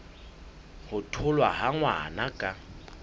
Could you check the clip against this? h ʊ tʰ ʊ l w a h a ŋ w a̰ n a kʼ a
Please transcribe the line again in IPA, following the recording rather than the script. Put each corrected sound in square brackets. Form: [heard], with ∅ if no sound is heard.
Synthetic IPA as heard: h ʊ tʰ ʊ l w a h a ŋ w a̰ n a kʼ a